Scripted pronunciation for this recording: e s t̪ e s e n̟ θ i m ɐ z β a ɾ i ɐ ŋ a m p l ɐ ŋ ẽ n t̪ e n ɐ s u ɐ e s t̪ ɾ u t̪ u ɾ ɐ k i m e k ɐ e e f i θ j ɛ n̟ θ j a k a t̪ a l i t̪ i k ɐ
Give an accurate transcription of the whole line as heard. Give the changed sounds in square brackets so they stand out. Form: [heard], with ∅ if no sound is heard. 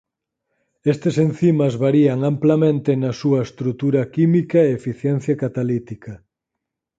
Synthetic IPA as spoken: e s t̪ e s e n̟ θ i m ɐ z β a ɾ i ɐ ŋ a m p l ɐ [m] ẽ n t̪ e n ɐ s u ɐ e s t̪ ɾ u t̪ u ɾ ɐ k i m [i] k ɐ e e f i θ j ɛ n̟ θ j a k a t̪ a l i t̪ i k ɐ